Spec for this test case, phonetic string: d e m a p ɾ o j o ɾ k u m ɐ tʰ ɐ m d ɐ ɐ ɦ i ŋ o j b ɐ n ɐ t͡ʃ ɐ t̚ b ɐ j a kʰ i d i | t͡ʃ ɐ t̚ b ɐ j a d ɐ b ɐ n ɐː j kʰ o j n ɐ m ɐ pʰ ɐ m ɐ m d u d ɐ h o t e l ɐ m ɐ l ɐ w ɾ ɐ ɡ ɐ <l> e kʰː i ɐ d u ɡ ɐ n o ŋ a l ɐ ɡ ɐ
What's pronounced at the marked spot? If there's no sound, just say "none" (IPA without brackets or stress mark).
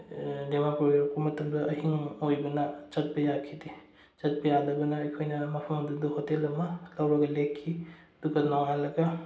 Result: l